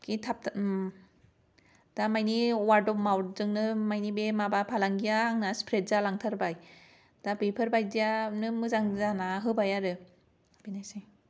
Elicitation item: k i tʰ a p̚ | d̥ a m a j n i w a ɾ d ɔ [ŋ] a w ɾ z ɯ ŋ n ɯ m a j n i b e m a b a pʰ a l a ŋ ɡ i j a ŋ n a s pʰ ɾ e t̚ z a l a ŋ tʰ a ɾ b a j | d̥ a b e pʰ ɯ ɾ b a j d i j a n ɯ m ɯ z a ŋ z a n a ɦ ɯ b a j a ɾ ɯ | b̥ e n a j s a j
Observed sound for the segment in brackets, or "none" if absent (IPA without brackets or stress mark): m